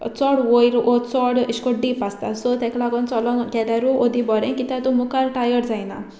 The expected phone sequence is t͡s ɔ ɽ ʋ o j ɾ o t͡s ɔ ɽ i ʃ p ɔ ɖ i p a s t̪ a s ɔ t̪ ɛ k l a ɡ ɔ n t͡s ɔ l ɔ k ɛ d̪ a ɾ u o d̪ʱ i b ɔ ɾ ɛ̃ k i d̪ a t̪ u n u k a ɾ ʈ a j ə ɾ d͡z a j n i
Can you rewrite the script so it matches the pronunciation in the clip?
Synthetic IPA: t͡s ɔ ɽ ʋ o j ɾ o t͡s ɔ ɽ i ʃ k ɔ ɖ i p a s t̪ a s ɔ t̪ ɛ k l a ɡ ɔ n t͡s ɔ l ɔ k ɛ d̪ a ɾ u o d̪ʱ i b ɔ ɾ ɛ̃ k i t̪ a t̪ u m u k a ɾ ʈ a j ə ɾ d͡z a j n a